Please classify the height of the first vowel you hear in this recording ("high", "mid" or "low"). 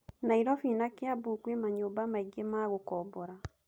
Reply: low